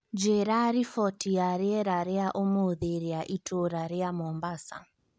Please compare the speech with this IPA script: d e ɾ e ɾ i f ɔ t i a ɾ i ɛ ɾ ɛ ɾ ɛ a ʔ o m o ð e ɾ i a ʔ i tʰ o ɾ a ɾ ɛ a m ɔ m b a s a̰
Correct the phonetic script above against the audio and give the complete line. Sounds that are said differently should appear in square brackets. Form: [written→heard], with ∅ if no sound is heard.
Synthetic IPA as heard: [d→d͡ʒ] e ɾ [e→a] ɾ i f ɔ t i a ɾ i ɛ ɾ [ɛ→a] ɾ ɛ a ʔ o m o ð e ɾ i a ʔ i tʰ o ɾ a ɾ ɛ a m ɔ m b a s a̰